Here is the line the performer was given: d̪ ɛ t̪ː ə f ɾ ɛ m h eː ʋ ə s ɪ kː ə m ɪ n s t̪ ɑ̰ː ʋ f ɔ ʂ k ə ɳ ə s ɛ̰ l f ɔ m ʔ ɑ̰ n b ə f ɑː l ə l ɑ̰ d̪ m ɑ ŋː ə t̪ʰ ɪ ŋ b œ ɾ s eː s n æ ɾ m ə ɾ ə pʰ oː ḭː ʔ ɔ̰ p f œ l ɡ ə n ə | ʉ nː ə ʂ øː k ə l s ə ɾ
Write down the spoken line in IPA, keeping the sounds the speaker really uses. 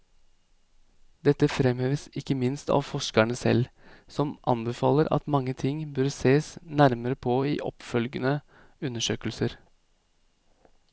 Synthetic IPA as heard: d̪ ɛ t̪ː ə f ɾ ɛ m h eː ʋ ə s ɪ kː ə m ɪ n s t̪ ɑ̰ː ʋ f ɔ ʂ k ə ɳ ə s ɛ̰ l s ɔ m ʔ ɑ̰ n b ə f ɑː l ə ɾ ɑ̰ t̪ m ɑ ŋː ə t̪ʰ ɪ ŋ b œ ɾ s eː s n æ ɾ m ə ɾ ə pʰ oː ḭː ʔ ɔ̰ p f œ l ɡ ə n ə | ʉ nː ə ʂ øː k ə l s ə ɾ